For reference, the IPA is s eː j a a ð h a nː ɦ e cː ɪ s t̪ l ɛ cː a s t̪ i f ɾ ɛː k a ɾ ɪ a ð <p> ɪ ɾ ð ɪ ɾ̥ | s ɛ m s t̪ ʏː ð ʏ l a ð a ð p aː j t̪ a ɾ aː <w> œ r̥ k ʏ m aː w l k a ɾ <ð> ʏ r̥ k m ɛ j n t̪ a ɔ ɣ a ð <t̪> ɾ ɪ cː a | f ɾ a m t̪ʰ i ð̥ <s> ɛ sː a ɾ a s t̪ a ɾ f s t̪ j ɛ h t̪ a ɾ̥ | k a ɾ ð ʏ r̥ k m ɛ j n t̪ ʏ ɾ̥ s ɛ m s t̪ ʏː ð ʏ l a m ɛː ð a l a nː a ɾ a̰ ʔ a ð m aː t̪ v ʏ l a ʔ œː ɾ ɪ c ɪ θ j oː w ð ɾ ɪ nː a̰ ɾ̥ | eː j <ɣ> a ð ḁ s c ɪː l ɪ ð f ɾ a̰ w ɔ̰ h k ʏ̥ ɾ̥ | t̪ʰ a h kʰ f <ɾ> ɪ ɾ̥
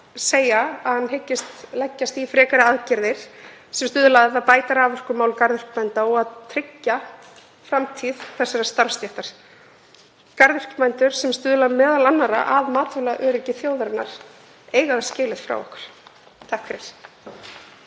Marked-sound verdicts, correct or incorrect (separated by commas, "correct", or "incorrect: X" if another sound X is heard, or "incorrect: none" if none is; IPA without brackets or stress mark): incorrect: c, incorrect: v, correct, incorrect: t̪ʰ, incorrect: θ, correct, correct